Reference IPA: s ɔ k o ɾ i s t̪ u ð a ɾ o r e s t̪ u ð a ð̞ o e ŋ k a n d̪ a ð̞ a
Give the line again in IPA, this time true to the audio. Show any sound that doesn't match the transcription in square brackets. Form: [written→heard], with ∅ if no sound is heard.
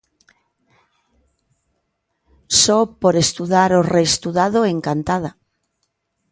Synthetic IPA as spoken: s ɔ [k→p] o ɾ [i→e] s t̪ u ð a ɾ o r e s t̪ u ð a ð̞ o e ŋ k a n [d̪→t̪] a ð̞ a